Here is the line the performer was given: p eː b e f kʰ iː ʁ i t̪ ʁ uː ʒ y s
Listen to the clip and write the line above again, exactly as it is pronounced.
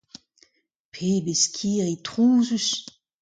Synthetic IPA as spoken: pʰ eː b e s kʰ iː ʁ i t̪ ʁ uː z y s

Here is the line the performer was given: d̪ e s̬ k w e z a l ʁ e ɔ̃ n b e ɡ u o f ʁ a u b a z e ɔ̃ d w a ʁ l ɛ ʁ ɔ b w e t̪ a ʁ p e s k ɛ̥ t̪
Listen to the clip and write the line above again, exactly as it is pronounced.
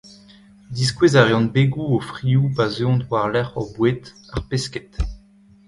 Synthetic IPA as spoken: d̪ i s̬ k w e z a ʁ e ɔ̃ n b e ɡ u o f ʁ i u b a z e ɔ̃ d w a ʁ l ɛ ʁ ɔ b w e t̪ a ʁ p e s k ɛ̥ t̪

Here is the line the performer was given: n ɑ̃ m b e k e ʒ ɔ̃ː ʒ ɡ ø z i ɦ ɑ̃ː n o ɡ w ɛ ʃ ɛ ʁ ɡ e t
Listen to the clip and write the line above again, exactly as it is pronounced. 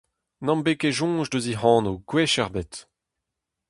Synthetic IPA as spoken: n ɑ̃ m b e k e ʒ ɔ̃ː ʒ d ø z i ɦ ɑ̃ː n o ɡ w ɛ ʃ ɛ ʁ b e t

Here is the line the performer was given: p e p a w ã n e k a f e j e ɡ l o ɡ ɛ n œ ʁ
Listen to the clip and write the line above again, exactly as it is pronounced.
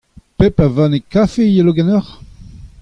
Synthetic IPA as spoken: p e p a v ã n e k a f e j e l o ɡ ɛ n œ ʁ

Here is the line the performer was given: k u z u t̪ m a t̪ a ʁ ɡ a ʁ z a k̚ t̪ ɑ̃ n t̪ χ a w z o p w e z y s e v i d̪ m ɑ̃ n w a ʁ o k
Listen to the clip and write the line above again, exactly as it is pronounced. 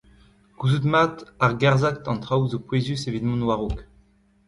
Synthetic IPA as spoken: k u z u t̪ m a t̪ a ʁ ɡ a ʁ z a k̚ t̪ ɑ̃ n t̪ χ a w z o p w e z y s e v i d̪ m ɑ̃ n w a ʁ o k

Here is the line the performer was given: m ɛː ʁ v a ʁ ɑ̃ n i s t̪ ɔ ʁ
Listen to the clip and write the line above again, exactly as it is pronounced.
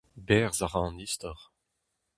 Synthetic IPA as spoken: b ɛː ʁ z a ʁ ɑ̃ n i s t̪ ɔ ʁ

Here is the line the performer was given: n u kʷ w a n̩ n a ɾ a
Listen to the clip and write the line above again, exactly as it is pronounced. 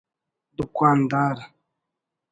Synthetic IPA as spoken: d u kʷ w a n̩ d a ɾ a

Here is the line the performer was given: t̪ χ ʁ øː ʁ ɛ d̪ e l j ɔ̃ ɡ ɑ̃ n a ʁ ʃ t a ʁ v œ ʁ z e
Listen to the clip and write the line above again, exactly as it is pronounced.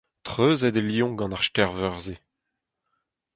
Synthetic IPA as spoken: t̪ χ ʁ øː z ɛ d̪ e l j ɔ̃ ɡ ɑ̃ n a ʁ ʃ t ɛ ʁ v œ ʁ z e

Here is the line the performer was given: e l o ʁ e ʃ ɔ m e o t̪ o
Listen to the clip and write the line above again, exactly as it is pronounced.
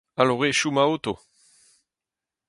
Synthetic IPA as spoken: a l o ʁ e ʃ u m a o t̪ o

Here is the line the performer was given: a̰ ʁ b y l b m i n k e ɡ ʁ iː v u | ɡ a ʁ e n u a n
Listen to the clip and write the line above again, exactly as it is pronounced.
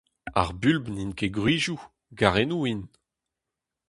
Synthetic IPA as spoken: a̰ ʁ b y l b n i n k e ɡ ʁ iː ʒ u | ɡ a ʁ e n u i n

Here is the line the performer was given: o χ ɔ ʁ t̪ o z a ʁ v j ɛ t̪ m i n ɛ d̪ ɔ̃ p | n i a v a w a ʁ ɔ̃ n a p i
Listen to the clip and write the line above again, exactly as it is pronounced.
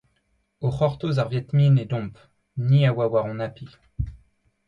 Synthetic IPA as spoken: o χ ɔ ʁ t̪ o z a ʁ v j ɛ t̪ m i n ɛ d̪ ɔ̃ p | n i a w a w a ʁ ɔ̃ n a p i

